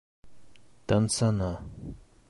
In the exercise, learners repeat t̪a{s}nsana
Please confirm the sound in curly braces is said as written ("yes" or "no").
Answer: no